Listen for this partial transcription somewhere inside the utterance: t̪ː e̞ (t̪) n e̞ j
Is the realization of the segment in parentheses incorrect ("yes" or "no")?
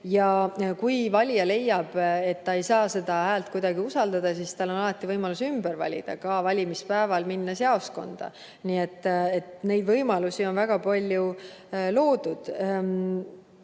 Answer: no